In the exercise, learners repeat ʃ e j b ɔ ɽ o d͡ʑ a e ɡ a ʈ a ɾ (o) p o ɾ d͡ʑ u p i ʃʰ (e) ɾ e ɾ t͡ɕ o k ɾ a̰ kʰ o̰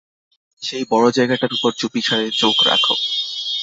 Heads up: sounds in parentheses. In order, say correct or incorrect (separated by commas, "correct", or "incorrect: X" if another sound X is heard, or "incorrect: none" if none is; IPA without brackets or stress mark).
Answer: incorrect: u, incorrect: a